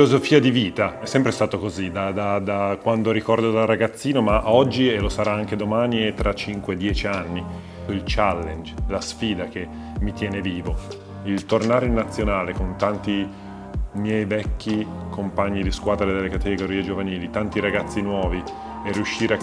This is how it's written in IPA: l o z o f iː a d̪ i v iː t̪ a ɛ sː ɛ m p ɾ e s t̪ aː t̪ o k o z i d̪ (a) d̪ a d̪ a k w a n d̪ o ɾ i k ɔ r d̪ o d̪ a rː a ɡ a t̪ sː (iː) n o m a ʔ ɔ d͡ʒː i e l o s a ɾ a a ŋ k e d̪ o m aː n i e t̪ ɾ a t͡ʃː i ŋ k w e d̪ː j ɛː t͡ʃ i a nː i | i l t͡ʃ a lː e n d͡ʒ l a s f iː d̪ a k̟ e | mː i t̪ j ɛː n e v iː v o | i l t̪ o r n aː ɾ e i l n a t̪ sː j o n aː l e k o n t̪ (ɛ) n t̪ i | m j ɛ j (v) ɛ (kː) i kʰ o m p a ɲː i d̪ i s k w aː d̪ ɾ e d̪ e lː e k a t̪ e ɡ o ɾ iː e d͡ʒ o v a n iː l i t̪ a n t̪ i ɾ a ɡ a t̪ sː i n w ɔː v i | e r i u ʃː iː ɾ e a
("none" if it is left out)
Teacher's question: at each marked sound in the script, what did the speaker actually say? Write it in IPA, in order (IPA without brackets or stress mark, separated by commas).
a, iː, a, v, kː